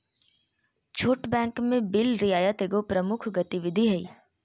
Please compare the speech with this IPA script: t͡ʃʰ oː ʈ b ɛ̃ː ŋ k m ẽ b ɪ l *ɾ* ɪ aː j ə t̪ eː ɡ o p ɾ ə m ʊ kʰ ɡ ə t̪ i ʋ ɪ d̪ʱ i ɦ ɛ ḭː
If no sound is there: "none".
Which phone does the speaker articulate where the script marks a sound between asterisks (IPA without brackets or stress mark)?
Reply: ɾ